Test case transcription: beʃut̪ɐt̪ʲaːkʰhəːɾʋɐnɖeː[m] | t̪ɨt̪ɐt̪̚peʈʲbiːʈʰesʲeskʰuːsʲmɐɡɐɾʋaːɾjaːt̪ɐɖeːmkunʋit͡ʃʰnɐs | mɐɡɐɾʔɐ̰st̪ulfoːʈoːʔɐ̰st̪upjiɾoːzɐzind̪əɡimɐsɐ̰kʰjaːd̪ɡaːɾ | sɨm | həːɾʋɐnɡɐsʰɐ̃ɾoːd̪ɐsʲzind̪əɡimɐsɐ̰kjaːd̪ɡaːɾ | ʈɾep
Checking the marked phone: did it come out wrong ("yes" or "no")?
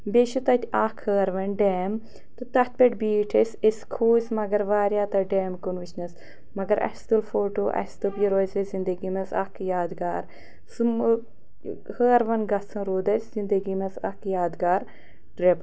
no